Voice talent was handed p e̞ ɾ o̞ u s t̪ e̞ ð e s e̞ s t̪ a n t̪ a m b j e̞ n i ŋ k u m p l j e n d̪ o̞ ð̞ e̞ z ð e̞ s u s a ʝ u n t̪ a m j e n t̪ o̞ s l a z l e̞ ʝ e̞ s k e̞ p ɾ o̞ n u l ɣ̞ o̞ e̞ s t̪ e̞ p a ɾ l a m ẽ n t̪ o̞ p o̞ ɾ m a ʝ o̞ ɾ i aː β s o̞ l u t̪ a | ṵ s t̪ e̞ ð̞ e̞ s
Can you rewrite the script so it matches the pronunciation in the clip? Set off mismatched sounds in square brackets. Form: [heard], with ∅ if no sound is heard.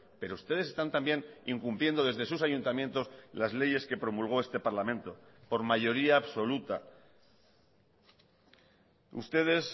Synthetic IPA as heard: p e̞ ɾ o̞ u s t̪ e̞ ð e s e̞ s t̪ a n t̪ a m b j e̞ n i ŋ k u m p l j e n d̪ o̞ ð̞ e̞ z ð e̞ s u s a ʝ u n t̪ a m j e n t̪ o̞ s l a z l e̞ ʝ e̞ s k e̞ p ɾ o̞ [m] u l ɣ̞ o̞ e̞ s t̪ e̞ p a ɾ l a m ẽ n t̪ o̞ p o̞ ɾ m a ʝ o̞ ɾ i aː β s o̞ l u t̪ a | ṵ s t̪ e̞ ð̞ e̞ s